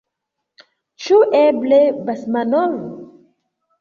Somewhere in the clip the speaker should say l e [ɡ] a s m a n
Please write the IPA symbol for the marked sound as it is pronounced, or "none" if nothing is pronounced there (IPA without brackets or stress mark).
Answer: b